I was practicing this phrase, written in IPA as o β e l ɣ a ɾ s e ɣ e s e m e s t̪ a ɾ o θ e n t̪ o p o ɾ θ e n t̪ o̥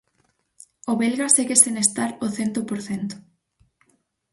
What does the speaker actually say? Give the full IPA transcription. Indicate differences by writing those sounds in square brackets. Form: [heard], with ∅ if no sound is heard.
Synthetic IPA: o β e l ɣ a [∅] s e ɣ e s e [n] e s t̪ a ɾ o θ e n t̪ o p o ɾ θ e n t̪ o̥